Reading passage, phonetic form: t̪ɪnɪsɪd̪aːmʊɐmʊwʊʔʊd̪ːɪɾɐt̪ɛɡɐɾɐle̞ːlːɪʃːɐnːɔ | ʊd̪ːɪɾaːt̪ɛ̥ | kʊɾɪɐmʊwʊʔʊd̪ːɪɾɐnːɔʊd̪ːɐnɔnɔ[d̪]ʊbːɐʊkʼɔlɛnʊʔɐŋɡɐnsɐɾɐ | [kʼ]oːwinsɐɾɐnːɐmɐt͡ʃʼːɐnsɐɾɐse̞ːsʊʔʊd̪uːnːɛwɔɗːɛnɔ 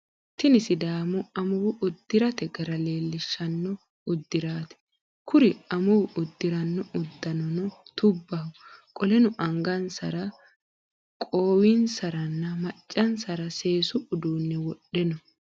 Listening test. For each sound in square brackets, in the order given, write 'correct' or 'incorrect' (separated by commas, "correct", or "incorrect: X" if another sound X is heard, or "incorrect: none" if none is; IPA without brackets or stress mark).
incorrect: t̪, correct